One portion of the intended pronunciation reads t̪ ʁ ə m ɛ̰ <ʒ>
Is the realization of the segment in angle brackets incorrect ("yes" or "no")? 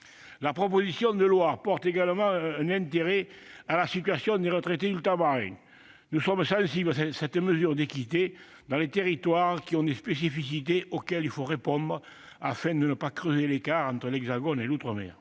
yes